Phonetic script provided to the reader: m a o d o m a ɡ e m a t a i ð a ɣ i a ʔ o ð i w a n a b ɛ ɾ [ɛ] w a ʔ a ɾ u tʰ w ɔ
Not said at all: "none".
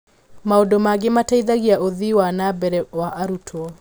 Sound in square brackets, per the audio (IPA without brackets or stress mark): ɛ